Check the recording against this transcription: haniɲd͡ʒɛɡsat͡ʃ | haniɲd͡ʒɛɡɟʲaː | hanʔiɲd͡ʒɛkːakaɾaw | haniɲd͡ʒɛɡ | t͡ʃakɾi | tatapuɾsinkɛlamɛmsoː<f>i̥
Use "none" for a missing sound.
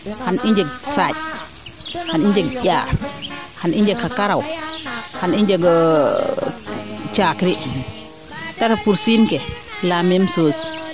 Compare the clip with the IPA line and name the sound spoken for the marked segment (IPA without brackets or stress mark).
s